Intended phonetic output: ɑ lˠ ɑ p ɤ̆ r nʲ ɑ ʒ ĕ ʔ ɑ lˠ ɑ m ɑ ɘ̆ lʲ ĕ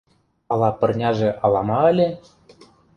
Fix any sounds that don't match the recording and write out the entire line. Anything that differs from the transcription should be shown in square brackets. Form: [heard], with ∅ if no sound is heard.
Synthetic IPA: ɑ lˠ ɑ p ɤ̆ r nʲ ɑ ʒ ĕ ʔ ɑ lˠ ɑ m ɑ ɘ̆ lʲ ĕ